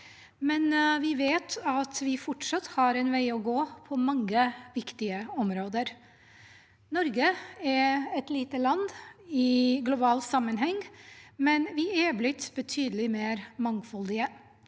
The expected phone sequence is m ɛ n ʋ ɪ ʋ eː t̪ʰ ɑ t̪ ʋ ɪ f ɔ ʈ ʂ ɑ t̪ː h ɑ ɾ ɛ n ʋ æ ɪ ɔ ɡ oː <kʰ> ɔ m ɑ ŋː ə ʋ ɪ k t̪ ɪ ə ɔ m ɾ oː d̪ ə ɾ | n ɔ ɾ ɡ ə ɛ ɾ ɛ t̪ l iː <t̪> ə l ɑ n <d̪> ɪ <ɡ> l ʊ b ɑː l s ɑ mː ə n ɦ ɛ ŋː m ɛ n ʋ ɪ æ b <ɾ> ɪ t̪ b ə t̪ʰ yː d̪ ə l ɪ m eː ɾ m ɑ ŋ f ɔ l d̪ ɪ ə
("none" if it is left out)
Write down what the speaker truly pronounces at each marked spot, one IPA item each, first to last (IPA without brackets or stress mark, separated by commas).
pʰ, t̪, d̪, ɡ, l